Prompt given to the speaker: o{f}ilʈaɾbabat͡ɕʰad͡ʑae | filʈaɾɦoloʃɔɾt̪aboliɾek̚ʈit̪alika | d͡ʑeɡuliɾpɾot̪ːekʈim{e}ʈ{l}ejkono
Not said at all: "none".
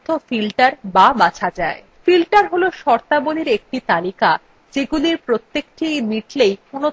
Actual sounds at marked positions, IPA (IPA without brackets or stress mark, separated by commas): f, i, l